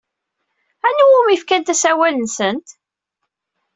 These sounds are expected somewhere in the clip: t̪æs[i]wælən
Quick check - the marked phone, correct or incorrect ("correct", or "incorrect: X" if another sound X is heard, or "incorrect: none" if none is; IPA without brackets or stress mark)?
incorrect: æ